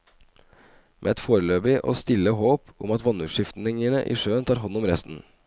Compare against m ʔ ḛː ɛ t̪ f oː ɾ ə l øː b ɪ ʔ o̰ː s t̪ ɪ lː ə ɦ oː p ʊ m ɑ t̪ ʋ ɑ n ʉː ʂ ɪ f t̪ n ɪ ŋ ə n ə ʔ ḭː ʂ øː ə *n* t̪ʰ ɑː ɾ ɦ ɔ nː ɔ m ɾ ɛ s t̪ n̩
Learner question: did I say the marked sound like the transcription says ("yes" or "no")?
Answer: yes